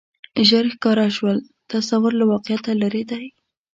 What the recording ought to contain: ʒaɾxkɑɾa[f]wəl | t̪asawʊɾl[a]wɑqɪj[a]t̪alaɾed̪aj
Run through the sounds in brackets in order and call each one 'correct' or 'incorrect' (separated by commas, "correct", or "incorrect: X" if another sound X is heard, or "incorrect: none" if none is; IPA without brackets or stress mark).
incorrect: ʃ, correct, correct